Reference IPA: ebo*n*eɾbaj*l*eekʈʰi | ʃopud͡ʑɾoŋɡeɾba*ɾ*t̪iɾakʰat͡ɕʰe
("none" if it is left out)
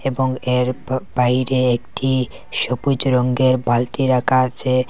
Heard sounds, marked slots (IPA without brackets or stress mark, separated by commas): ŋ, ɾ, l